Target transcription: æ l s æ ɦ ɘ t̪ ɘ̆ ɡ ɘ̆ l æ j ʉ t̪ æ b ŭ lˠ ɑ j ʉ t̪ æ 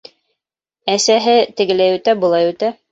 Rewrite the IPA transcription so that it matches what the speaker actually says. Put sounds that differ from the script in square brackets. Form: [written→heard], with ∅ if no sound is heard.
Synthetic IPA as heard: æ [l→∅] s æ ɦ ɘ t̪ ɘ̆ ɡ ɘ̆ l æ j ʉ t̪ æ b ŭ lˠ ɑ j ʉ t̪ æ